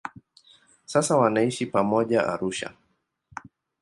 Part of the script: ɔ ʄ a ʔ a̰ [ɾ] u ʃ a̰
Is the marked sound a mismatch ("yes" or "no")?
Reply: no